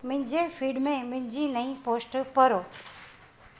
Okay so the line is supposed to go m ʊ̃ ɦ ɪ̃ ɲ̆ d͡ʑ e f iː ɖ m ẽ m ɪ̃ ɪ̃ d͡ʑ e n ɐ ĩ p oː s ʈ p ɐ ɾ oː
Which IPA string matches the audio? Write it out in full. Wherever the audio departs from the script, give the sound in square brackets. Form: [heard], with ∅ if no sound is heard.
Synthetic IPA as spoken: m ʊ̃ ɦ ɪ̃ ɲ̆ d͡ʑ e f iː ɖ m ẽ m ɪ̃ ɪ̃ d͡ʑ [i] n ɐ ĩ p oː s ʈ p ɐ ɾ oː

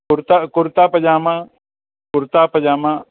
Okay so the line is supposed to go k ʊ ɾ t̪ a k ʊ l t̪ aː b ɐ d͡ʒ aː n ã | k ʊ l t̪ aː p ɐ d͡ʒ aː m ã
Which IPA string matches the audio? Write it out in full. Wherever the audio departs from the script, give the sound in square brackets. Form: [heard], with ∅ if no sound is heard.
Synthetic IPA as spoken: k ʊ ɾ t̪ a k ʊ [ɾ] t̪ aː [p] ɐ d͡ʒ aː [m] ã | k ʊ [ɾ] t̪ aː p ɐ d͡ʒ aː m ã

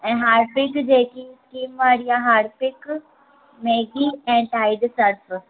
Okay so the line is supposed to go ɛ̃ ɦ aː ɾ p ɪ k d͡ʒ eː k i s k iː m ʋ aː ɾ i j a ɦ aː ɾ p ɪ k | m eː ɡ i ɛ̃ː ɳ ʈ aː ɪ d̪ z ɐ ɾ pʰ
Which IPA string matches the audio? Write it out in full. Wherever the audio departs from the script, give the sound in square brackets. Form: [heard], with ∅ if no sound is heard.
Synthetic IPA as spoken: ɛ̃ ɦ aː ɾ p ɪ k d͡ʒ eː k i s k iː m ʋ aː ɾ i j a ɦ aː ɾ p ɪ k | m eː ɡ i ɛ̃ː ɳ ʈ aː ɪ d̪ [s] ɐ ɾ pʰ

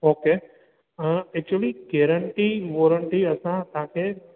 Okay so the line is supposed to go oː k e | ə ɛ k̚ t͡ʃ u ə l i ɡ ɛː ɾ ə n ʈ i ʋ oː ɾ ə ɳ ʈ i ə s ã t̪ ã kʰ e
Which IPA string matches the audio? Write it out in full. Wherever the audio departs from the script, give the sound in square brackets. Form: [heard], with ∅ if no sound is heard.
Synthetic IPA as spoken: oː k e | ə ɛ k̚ t͡ʃ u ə l i ɡ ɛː ɾ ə [ɳ] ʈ i ʋ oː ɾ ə ɳ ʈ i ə s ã t̪ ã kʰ e

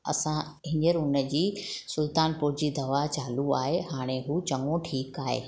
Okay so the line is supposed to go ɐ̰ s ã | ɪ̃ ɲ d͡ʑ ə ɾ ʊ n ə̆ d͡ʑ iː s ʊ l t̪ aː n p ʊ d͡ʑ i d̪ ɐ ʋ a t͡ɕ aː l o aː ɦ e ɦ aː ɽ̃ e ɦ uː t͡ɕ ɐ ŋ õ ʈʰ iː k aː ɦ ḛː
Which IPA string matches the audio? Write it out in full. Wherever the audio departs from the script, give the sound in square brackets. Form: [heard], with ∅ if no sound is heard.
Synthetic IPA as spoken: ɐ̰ s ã | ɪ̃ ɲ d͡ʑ ə ɾ ʊ n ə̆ d͡ʑ iː s ʊ l t̪ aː n p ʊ d͡ʑ i d̪ ɐ ʋ a t͡ɕ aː l [u] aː ɦ e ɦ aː ɽ̃ e ɦ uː t͡ɕ ɐ ŋ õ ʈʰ iː k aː ɦ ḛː

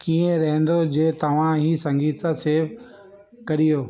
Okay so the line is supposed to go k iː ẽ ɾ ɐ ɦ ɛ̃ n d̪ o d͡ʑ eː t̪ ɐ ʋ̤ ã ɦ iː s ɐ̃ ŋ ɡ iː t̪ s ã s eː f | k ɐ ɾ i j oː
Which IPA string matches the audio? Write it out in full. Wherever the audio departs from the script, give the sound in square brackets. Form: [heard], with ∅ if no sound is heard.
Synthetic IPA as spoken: k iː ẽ ɾ ɐ ɦ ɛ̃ n d̪ o d͡ʑ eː t̪ ɐ ʋ̤ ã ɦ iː s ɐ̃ ŋ ɡ iː t̪ s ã s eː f | k ɐ ɾ i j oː

